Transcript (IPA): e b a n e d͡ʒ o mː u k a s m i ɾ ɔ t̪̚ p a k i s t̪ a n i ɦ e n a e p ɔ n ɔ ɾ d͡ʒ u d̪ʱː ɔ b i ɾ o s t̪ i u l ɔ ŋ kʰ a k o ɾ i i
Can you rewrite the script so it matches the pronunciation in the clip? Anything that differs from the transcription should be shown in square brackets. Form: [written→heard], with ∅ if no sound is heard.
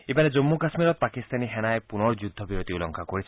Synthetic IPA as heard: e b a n e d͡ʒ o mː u k a s m i ɾ ɔ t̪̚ p a k i s t̪ a n i ɦ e n a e p [ɔ→u] n ɔ ɾ d͡ʒ u d̪ʱː ɔ b i ɾ o [s→∅] t̪ i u l ɔ ŋ kʰ a k o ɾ i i